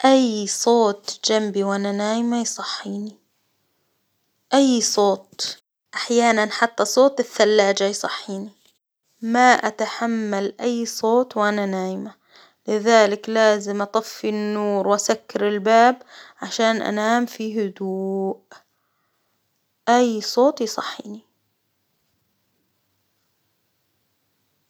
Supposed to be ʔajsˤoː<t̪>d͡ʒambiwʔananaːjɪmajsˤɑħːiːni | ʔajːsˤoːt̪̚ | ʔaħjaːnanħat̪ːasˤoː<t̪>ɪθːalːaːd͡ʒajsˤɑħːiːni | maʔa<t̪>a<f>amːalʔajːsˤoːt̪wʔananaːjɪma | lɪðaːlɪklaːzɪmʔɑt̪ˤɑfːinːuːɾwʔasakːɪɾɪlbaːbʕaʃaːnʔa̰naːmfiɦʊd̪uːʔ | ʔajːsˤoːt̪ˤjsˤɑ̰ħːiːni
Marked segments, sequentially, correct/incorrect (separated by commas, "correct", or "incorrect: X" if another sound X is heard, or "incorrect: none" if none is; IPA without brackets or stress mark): correct, correct, correct, incorrect: ħ